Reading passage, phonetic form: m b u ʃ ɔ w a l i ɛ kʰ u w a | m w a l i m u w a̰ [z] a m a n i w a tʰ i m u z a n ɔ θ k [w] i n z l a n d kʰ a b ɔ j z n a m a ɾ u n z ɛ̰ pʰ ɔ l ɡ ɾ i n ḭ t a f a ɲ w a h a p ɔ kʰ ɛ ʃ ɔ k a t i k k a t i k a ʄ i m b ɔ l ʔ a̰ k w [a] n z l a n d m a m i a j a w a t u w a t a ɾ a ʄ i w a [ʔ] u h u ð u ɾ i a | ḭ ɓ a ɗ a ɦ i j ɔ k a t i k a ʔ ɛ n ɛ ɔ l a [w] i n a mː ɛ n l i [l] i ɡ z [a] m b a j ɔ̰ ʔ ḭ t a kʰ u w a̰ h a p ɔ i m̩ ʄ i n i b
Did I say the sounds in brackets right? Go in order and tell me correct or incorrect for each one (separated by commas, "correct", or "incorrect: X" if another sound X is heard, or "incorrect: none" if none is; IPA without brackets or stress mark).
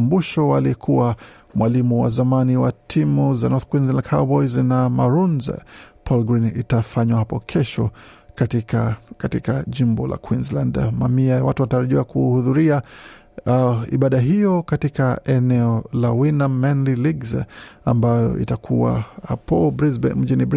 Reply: correct, correct, incorrect: i, incorrect: k, correct, correct, correct